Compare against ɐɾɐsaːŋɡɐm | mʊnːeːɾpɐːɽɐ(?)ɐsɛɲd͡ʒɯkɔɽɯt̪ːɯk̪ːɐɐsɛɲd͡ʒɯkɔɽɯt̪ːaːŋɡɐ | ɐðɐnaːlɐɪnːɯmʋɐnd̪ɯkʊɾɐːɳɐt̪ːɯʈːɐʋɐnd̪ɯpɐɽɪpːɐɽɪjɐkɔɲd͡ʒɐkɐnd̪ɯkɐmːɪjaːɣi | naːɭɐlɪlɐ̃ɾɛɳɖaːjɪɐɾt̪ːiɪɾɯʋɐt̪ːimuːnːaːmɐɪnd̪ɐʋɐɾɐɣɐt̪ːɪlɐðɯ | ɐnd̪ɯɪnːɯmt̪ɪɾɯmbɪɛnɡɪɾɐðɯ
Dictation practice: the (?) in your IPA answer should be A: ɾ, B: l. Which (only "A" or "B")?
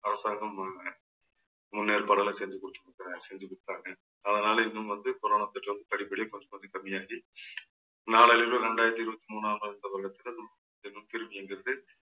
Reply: B